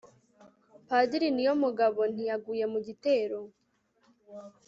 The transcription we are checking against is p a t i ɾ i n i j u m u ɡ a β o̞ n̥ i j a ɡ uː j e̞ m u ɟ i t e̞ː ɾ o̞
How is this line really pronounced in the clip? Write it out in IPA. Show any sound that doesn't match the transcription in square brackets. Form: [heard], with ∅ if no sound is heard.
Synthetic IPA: p a [d] i ɾ i n i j [o] m u ɡ a β o̞ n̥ i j a ɡ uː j e̞ m u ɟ i t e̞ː ɾ o̞